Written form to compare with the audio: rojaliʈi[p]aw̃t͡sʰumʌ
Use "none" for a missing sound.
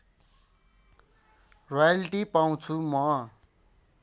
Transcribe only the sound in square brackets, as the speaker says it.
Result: p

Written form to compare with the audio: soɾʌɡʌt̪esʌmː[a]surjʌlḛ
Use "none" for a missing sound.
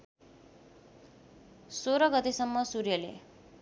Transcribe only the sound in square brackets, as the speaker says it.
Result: ʌ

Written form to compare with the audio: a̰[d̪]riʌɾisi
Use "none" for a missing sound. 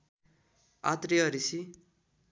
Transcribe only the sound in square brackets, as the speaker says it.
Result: t̪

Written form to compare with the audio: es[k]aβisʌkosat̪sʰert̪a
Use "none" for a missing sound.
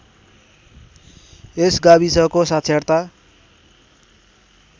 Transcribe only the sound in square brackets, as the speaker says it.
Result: ɡ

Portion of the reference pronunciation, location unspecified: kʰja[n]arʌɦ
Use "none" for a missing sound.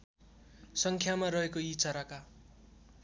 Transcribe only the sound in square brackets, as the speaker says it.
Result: m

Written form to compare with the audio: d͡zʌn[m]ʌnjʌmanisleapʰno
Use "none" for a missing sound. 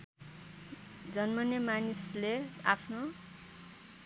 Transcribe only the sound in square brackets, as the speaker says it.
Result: m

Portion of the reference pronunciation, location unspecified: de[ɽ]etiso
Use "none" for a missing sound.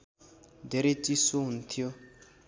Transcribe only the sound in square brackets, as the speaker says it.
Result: ɾ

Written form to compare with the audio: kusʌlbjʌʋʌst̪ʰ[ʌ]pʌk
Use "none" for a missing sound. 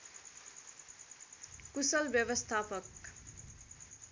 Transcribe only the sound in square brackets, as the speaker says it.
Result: a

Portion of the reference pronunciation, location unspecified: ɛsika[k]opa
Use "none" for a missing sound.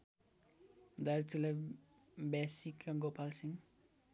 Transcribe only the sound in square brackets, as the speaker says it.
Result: ɡ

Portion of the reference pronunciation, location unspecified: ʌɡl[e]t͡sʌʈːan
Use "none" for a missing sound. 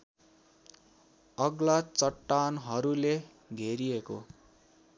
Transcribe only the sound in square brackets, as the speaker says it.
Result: a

